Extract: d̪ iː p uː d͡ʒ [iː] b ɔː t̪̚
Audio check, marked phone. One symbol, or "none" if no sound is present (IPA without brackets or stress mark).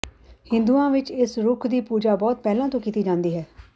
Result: aː